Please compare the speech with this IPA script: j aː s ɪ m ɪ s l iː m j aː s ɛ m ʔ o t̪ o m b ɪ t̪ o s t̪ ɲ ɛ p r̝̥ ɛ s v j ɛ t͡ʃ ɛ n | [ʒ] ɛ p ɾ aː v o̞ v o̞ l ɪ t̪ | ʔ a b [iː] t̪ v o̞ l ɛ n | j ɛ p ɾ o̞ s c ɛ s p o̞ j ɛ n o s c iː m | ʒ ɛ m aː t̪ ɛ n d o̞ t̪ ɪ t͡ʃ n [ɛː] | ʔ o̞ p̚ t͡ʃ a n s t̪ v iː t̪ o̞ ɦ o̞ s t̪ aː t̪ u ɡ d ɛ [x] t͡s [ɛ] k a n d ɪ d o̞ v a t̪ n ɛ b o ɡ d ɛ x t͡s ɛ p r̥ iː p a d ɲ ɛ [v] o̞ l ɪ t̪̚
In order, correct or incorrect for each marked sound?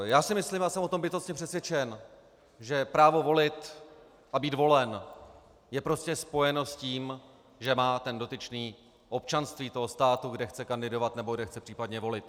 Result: correct, correct, incorrect, correct, correct, correct

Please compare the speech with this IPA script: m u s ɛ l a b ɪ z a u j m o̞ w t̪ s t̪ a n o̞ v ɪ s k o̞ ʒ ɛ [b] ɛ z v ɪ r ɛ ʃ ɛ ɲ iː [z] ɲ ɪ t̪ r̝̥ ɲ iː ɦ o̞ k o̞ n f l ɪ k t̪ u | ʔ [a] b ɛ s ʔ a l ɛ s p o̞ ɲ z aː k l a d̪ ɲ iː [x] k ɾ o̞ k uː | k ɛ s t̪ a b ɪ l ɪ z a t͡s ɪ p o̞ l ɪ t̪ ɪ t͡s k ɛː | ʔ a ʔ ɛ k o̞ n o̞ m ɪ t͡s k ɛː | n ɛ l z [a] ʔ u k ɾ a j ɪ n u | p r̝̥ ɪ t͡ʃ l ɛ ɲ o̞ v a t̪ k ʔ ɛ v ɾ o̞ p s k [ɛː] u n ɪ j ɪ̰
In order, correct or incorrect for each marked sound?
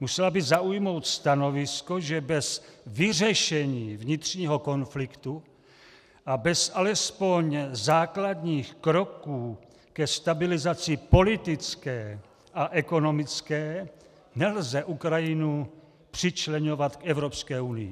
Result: correct, incorrect, correct, correct, incorrect, correct

